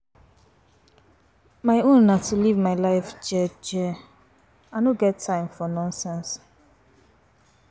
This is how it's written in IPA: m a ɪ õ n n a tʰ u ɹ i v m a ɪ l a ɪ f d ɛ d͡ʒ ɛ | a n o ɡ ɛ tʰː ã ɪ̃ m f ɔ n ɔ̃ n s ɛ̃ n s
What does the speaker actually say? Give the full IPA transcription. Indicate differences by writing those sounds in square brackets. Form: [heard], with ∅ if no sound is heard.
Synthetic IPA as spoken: m a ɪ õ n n a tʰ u [l] i v m a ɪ l a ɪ f [d͡ʒ] ɛ d͡ʒ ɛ | a n o ɡ ɛ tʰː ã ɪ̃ m f ɔ n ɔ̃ n s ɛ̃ n s